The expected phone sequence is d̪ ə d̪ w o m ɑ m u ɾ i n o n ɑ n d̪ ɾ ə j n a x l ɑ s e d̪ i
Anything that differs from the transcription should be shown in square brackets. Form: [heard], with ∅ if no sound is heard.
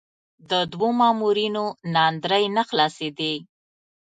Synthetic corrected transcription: d̪ ə d̪ w o m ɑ m u ɾ i n o n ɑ n d̪ ɾ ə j n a x l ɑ s e d̪ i